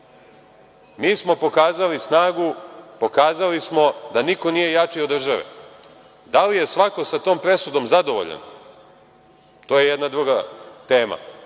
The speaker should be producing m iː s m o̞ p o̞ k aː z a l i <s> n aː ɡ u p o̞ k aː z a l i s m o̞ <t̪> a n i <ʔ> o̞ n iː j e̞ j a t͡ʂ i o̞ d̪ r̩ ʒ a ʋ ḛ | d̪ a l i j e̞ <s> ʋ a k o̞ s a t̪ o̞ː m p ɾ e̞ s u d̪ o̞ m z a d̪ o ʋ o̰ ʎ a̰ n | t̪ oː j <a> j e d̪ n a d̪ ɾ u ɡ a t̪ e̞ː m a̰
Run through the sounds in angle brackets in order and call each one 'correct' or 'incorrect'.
correct, incorrect, incorrect, correct, incorrect

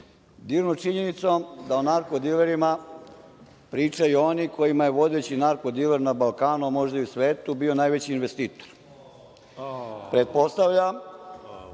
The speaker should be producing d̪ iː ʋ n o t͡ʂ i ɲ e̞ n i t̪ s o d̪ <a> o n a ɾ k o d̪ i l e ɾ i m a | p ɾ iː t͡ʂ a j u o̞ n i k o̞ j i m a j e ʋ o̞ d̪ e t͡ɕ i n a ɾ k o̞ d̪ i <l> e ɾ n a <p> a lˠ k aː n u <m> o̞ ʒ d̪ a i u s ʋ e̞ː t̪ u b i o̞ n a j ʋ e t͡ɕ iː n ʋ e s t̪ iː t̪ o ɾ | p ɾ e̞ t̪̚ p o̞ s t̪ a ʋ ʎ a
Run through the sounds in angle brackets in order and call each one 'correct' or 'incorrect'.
correct, correct, incorrect, correct

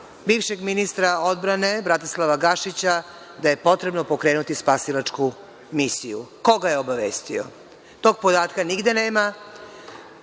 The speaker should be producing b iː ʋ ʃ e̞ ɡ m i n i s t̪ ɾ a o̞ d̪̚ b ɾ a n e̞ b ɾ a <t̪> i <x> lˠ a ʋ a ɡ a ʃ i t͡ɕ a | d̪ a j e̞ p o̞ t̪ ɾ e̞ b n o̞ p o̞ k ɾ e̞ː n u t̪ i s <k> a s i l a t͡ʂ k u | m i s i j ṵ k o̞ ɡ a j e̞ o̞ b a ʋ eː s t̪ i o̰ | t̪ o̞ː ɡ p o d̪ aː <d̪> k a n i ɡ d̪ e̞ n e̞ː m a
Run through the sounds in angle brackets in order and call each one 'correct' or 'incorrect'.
correct, incorrect, incorrect, incorrect

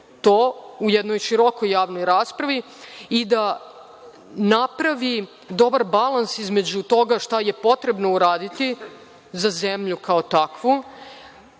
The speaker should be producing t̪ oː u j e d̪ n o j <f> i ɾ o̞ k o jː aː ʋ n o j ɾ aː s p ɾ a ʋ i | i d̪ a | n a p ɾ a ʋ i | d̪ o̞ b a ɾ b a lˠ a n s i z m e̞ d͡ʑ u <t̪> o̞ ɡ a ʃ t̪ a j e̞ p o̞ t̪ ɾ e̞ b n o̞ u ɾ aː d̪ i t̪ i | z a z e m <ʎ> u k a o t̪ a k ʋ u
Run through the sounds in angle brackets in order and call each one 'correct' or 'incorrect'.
incorrect, correct, correct

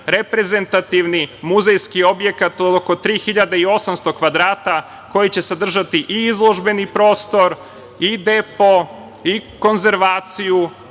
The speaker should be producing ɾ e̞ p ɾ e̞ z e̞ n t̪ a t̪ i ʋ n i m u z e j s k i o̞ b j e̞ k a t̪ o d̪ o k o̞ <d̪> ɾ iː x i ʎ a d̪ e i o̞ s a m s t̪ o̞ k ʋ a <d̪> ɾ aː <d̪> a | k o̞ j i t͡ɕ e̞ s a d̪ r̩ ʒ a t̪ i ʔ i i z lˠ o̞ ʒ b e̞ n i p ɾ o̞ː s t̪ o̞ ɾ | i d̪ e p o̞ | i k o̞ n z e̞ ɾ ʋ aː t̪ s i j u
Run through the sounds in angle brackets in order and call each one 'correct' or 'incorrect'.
incorrect, correct, incorrect

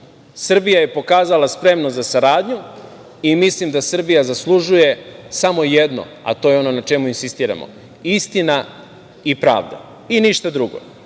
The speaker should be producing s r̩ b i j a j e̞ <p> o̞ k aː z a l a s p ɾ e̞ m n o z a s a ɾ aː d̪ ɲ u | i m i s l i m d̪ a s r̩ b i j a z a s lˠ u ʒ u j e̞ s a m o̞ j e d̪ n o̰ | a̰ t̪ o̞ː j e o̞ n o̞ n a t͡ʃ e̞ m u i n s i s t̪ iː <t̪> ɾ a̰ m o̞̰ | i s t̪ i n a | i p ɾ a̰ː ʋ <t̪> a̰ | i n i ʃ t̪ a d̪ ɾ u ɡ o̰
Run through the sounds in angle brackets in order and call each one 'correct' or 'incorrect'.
correct, incorrect, incorrect

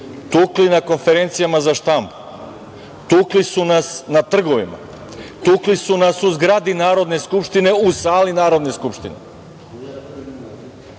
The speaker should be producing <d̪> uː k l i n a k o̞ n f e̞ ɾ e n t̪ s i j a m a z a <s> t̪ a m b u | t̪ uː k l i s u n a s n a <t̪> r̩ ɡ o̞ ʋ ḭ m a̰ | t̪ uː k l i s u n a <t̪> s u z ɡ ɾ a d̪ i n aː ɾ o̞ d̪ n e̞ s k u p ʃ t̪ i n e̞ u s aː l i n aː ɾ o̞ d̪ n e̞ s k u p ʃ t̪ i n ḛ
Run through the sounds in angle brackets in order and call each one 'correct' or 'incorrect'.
incorrect, incorrect, correct, incorrect

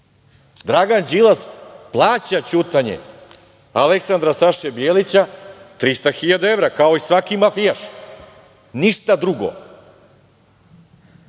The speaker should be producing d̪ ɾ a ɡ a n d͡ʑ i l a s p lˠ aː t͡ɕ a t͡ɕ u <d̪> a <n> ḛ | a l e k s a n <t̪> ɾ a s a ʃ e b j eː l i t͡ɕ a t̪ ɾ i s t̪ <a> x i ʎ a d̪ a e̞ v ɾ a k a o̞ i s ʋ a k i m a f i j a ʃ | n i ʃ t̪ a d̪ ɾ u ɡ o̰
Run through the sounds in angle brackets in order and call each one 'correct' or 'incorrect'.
incorrect, incorrect, incorrect, correct

